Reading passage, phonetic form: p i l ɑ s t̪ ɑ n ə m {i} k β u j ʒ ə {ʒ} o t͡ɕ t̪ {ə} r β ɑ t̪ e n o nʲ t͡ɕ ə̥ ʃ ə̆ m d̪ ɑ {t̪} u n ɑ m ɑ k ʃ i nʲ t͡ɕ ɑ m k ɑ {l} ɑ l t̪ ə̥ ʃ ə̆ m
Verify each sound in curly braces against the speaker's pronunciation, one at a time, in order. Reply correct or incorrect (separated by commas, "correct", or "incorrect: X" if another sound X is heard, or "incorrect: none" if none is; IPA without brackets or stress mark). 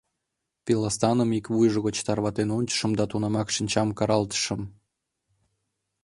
correct, incorrect: ɣ, incorrect: ɑ, correct, incorrect: ɾ